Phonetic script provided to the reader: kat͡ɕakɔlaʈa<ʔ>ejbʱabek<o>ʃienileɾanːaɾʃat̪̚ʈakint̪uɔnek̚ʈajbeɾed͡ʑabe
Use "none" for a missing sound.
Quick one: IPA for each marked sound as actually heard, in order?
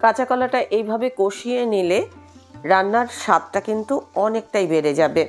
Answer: ʔ, o

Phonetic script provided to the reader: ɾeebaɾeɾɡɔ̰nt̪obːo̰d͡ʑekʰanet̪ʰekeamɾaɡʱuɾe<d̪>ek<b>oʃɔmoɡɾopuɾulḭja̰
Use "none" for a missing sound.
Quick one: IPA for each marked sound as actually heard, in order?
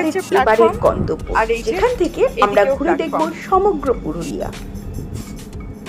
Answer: d̪, b

